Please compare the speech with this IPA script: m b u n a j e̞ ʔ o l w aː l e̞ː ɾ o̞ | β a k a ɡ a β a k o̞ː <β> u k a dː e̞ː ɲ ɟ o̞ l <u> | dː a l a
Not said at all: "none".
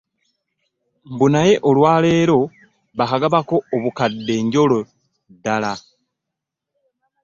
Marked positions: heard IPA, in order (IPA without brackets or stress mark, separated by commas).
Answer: β, o